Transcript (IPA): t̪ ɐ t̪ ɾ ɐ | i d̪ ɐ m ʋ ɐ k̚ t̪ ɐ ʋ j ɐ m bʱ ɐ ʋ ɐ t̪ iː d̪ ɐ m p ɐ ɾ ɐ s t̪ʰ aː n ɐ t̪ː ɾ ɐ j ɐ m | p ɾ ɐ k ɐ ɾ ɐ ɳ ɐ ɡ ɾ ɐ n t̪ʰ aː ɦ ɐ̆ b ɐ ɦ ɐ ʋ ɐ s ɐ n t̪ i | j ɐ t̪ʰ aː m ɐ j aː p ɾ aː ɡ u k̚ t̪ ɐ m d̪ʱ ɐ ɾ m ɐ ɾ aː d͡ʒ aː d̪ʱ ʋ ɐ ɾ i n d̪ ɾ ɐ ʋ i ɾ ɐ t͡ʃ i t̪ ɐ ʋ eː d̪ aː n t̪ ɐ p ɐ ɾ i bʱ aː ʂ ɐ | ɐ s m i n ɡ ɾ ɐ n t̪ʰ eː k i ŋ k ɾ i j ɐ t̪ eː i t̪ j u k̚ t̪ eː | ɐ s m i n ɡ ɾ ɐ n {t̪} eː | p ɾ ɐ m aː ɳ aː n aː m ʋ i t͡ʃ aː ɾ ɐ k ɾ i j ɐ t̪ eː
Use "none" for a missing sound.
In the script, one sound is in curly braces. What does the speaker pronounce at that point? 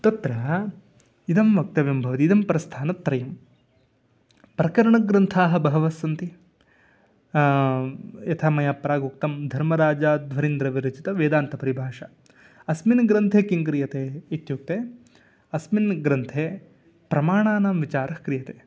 t̪ʰ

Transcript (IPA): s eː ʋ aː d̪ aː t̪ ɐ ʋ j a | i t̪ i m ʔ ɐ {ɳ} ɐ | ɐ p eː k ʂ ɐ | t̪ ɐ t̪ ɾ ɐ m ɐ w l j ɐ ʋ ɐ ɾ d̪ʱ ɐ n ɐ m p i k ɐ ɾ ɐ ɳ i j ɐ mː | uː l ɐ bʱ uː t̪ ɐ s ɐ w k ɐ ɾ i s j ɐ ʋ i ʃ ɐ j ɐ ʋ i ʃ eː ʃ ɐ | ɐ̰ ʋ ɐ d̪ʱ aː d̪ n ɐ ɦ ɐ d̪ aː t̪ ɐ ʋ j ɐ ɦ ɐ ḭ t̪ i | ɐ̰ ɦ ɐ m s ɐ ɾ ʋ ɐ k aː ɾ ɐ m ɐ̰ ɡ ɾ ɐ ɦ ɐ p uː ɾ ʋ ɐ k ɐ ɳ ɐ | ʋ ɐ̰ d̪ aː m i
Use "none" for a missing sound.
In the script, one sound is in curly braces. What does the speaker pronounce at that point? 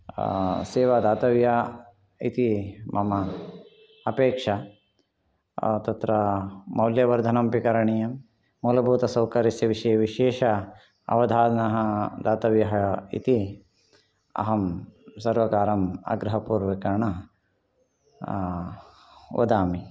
m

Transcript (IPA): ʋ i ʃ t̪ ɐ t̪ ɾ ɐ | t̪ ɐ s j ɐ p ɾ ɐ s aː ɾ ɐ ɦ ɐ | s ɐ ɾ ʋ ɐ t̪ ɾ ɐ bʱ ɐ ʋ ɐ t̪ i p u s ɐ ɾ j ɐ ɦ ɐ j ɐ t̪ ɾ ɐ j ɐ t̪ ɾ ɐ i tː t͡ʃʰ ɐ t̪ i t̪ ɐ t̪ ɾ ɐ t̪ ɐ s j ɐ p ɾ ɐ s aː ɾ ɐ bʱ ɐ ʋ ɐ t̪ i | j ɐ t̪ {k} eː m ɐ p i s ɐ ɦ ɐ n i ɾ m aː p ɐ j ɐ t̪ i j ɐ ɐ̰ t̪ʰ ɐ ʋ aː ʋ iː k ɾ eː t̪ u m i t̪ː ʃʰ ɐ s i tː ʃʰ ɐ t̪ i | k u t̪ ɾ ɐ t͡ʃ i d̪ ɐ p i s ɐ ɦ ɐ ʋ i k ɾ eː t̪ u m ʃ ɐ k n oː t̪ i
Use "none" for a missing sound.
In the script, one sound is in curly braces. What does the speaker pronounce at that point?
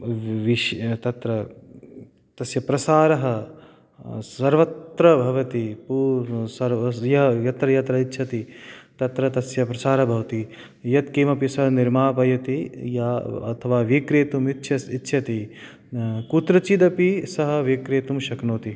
k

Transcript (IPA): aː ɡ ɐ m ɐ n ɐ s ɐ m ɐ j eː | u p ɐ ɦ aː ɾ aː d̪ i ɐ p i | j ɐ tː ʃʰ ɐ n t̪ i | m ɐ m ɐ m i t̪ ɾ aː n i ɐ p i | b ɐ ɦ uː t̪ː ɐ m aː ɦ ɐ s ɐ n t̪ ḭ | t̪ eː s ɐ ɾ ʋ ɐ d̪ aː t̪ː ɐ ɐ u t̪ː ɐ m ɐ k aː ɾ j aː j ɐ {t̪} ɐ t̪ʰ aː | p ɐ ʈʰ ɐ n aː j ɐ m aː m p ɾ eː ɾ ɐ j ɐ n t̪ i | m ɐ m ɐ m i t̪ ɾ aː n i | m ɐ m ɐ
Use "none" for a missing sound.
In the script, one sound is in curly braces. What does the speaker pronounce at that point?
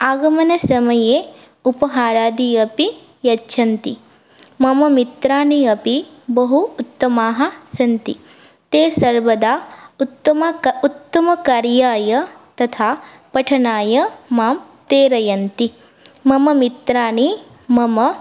t̪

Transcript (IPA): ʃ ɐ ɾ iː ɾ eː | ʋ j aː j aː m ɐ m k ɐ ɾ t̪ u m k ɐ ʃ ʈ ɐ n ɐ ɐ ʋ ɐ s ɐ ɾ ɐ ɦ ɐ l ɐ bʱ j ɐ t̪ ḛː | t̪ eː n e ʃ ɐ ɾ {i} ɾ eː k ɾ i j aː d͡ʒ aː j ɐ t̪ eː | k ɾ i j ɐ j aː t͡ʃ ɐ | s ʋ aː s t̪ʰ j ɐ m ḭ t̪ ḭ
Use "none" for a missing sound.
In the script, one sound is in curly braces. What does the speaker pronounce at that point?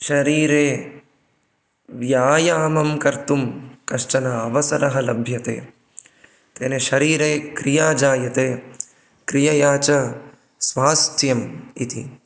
iː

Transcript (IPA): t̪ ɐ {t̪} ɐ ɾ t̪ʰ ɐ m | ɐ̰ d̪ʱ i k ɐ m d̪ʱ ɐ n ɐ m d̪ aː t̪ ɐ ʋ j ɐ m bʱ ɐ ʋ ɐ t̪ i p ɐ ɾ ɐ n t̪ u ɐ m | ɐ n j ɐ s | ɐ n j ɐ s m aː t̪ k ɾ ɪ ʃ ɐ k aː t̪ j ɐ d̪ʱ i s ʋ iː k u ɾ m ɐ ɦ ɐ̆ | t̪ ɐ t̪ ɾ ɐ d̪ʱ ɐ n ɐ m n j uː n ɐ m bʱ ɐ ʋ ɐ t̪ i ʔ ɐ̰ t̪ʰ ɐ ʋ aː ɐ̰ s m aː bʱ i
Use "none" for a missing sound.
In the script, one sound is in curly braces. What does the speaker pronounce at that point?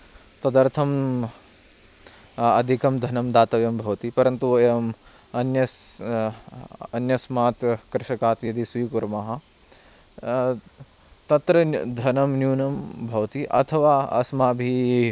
d̪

